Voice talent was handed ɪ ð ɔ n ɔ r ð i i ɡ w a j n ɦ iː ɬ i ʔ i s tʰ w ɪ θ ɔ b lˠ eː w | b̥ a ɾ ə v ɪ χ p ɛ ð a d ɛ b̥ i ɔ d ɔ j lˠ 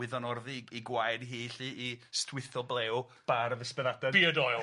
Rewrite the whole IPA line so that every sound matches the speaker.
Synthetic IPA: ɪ ð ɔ n ɔ r ð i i ɡ w a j d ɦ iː ɬ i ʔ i s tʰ w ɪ θ ɔ b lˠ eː w | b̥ a ɾ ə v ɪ s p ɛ ð a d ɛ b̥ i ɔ d ɔ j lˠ